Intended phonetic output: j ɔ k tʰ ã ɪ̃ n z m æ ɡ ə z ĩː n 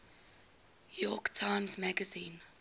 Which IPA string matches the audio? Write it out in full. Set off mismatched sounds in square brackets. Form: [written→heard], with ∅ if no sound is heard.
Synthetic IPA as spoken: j ɔ k tʰ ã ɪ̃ [n→m] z m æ ɡ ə z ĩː n